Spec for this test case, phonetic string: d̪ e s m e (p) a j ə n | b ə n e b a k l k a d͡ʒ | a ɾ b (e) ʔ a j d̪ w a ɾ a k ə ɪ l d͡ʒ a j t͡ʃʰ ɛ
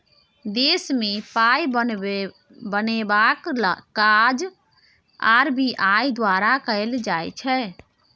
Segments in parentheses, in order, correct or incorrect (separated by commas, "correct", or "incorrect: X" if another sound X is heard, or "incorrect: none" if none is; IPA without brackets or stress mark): correct, incorrect: i